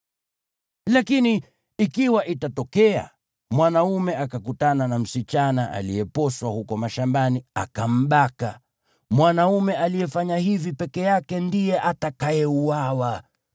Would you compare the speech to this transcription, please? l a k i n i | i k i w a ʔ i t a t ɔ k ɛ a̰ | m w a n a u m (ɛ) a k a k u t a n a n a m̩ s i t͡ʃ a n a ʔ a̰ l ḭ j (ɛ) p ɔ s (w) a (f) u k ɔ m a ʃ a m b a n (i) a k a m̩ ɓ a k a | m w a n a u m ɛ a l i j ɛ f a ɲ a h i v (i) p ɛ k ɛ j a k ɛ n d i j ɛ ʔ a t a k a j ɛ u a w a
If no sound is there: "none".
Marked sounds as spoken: ɛ, ɛ, w, h, i, i

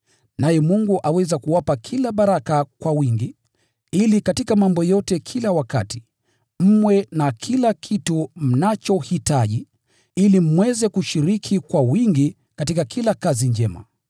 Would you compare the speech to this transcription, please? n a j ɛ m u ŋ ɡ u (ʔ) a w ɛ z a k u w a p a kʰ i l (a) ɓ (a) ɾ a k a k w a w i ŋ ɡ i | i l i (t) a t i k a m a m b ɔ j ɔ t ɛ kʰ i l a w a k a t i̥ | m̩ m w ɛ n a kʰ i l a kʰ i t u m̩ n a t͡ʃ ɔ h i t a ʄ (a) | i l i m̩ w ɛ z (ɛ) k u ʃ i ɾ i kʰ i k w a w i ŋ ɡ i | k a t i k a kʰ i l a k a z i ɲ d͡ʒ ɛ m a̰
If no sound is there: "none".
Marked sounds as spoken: ʔ, a, a, k, i, ɛ

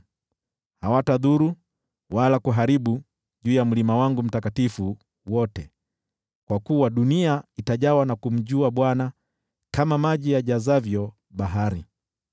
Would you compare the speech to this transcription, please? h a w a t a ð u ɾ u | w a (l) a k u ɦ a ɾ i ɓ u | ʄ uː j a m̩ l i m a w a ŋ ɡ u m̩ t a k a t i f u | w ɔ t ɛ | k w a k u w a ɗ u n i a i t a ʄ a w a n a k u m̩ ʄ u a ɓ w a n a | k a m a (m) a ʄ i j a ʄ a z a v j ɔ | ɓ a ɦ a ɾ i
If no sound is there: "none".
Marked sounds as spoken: l, m

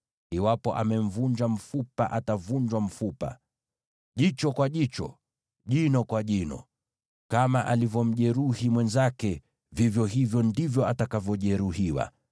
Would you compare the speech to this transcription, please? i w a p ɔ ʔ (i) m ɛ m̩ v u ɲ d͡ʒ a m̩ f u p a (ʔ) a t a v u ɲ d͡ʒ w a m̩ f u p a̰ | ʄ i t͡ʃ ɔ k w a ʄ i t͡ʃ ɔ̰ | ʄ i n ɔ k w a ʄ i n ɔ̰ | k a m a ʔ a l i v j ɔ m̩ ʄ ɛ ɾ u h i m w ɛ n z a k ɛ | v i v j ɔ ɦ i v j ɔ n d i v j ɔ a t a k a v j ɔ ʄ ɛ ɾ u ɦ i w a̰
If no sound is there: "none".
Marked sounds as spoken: a, ʔ

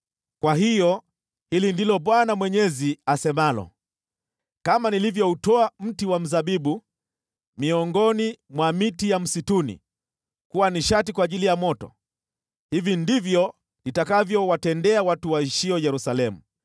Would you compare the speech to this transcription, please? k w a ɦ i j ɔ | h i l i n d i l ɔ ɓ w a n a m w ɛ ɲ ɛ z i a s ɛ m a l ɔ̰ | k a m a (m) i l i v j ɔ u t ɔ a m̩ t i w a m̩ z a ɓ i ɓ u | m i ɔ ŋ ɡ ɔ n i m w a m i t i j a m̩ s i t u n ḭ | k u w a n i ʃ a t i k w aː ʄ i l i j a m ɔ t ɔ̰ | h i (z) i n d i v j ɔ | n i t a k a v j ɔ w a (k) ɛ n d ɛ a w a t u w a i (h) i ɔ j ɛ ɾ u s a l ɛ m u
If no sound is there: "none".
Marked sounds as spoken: n, v, t, ʃ

